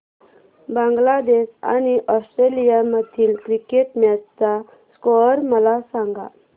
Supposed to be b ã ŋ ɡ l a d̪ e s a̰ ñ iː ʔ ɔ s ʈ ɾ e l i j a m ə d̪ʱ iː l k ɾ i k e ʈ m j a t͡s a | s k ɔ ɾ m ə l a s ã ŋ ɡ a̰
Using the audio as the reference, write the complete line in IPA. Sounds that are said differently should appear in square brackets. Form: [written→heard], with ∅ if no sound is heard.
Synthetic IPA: b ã ŋ ɡ l a d̪ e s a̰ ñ [iː→i] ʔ ɔ s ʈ ɾ e l i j a m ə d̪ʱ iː l k ɾ i k e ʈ m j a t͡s a | s k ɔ ɾ m ə l a s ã ŋ ɡ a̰